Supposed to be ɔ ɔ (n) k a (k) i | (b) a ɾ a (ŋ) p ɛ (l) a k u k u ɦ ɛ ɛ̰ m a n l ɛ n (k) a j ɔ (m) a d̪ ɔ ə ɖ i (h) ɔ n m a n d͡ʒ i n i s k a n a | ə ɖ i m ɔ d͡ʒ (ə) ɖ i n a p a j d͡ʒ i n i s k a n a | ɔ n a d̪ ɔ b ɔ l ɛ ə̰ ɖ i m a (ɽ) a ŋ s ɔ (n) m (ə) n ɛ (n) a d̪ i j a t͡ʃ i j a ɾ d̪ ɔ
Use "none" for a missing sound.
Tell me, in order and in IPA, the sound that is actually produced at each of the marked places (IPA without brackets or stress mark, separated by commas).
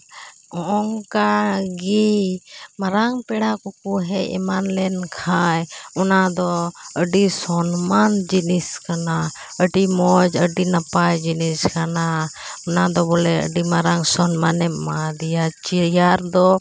ŋ, ɡ, m, ŋ, ɽ, kʰ, n, s, ə, ɾ, n, a, m